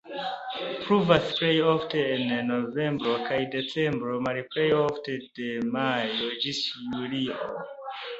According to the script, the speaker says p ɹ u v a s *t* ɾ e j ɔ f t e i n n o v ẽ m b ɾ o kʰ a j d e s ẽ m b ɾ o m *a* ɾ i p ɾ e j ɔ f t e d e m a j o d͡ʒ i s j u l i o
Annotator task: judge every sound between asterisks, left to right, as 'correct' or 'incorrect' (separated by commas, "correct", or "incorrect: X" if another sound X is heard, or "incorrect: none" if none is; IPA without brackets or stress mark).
incorrect: p, correct